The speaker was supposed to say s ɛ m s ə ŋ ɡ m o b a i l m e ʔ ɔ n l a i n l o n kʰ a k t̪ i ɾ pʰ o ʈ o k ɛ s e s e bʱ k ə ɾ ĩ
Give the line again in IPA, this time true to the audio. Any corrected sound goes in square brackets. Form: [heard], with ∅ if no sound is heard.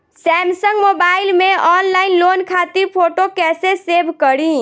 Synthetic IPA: s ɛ m s ə ŋ ɡ m o b a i l m e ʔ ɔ n l a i n l o n kʰ a [∅] t̪ i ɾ pʰ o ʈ o k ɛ s e s e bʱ k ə ɾ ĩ